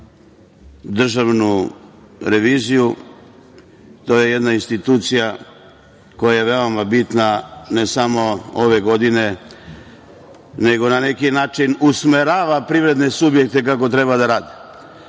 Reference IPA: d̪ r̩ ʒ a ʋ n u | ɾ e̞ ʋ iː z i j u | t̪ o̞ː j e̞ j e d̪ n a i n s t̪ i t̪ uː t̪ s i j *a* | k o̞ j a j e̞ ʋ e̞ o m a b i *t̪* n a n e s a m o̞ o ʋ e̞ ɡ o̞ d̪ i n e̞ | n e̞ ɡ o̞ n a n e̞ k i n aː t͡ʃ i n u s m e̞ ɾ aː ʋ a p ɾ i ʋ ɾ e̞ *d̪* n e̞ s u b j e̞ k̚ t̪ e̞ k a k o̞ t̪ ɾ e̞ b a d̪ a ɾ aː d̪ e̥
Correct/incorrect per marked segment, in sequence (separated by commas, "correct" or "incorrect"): correct, correct, correct